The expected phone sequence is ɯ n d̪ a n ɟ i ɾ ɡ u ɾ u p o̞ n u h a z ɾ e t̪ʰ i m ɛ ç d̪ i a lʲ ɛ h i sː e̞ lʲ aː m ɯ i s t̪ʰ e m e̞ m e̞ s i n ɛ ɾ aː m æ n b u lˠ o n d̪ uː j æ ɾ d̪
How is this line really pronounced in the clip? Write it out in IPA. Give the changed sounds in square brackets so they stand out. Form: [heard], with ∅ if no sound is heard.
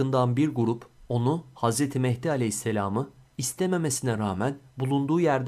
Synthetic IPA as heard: ɯ n d̪ a n [b] i ɾ ɡ u ɾ u p o̞ n u h a z ɾ e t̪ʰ i m ɛ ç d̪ i a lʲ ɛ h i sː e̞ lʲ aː m ɯ i s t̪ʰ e m e̞ m e̞ s i n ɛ ɾ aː m æ n b u lˠ [u] n d̪ uː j æ ɾ d̪

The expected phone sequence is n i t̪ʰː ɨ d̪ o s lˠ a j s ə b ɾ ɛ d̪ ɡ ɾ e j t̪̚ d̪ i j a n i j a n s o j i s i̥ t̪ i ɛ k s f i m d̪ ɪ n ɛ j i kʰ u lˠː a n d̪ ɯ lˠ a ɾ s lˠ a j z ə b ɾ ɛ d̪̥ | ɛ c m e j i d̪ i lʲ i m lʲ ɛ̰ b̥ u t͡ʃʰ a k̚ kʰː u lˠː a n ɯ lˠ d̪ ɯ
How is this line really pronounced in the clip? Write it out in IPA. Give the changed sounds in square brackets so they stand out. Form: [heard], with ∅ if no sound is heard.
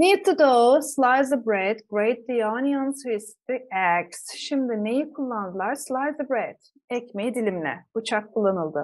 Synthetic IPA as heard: n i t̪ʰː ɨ d̪ o s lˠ a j [z] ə b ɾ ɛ d̪ ɡ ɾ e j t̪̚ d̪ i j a n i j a n s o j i s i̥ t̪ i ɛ k s [ʃ] i m d̪ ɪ n [e] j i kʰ u lˠː a n d̪ ɯ lˠ a ɾ s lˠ a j z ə b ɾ ɛ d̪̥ | ɛ c m e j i d̪ i lʲ i m lʲ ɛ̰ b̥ u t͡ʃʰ a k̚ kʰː u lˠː a n ɯ lˠ d̪ ɯ

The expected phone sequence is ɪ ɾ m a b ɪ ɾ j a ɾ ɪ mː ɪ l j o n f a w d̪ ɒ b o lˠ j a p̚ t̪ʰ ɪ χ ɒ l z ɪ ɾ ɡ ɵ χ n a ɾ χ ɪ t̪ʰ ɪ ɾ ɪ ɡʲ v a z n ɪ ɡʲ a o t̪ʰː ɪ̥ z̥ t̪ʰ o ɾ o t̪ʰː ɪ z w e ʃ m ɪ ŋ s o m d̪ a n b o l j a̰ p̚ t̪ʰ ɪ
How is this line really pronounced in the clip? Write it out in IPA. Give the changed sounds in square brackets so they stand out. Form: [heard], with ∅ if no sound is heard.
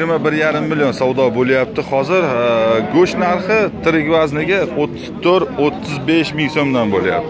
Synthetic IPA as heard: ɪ ɾ m a b ɪ ɾ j a ɾ ɪ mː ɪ l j o n [s] a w d̪ ɒ b o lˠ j a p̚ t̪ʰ ɪ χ ɒ [∅] z ɪ ɾ ɡ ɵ [ʃ] n a ɾ χ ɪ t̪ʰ ɪ ɾ ɪ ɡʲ v a z n ɪ ɡʲ a o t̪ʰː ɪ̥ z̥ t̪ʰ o ɾ o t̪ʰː ɪ z [b] e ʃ m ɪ ŋ s o m d̪ a n b o l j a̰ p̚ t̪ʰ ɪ

